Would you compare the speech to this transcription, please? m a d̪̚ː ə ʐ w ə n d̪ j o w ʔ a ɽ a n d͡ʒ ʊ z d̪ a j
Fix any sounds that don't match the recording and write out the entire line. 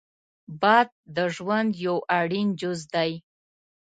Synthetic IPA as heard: b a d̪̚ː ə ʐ w a n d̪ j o w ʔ a ɽ i n d͡ʒ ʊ z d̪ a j